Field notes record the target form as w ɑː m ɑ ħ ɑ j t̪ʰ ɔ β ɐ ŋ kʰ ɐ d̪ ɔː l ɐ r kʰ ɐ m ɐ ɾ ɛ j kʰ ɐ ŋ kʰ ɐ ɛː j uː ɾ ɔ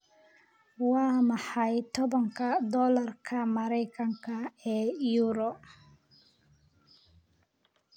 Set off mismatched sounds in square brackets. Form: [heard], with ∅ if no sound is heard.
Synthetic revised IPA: w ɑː m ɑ ħ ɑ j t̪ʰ ɔ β ɐ ŋ kʰ ɐ d̪ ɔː l ɐ r kʰ ɐ m ɐ ɾ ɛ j kʰ ɐ ŋ kʰ ɐ ɛː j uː ɾ ɔ